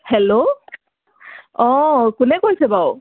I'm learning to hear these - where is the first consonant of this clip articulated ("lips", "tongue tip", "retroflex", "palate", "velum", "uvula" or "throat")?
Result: throat